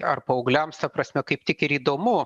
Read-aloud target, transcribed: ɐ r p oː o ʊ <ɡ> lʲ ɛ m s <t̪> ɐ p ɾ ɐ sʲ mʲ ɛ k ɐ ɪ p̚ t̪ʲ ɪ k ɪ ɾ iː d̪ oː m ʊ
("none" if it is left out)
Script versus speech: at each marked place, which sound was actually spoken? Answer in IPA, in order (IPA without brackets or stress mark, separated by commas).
ɡ, t̪